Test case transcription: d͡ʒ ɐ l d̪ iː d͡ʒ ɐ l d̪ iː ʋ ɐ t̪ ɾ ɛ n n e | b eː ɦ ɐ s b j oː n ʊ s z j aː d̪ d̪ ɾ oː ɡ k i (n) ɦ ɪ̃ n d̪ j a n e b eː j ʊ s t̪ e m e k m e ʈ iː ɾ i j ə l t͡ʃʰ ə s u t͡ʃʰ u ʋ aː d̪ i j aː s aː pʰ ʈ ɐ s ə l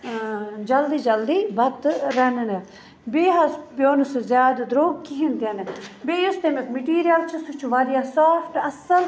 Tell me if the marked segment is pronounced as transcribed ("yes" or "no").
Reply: no